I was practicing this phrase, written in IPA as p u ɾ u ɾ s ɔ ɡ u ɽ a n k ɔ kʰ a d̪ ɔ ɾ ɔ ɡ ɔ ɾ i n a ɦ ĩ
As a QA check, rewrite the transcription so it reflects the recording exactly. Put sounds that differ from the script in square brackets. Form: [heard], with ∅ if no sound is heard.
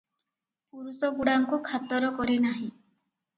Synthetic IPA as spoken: p u ɾ u [∅] s ɔ ɡ u ɽ a [ŋ] k [u] kʰ a [t̪] ɔ ɾ ɔ [k] ɔ ɾ i n a ɦ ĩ